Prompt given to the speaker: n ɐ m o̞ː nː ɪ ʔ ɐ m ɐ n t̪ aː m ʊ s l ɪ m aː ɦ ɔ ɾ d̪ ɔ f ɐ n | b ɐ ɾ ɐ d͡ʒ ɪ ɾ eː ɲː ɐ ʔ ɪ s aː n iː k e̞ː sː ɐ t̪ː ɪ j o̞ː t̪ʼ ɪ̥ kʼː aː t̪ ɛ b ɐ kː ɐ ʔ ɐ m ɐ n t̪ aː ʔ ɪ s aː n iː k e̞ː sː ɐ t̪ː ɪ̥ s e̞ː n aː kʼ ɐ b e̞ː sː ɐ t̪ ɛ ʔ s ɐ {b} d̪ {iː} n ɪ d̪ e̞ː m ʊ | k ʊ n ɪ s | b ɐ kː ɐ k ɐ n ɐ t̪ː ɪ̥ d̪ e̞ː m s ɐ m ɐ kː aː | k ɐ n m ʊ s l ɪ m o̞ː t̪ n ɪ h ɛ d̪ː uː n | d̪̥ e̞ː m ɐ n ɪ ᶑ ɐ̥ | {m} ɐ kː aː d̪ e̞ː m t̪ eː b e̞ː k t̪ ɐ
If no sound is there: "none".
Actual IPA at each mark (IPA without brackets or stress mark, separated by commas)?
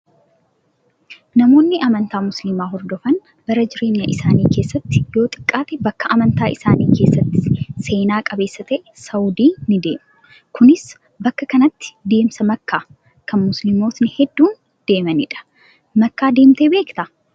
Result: w, iː, m